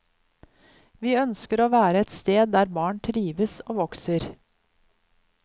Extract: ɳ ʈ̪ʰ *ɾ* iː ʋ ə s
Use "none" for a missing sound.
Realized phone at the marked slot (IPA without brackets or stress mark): ɾ